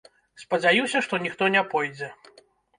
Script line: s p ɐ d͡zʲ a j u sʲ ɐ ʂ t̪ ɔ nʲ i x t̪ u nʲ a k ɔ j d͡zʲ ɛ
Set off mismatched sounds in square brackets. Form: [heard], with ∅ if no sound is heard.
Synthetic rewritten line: s p ɐ d͡zʲ a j u sʲ ɐ ʂ t̪ ɔ nʲ i x t̪ [ɔ] nʲ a [p] ɔ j d͡zʲ ɛ